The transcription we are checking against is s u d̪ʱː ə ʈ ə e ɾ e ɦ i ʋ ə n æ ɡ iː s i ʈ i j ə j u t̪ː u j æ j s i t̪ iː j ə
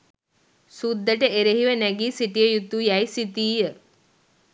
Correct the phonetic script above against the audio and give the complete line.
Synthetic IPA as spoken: s u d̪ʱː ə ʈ ə e ɾ e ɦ i ʋ ə n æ ɡ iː s i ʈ i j ə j u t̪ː u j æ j s i t̪ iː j ə